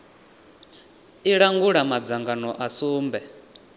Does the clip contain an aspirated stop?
no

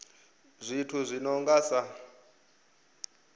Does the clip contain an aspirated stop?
yes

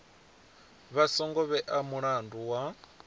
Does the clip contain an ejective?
no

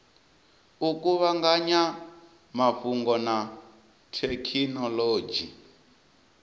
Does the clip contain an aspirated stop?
yes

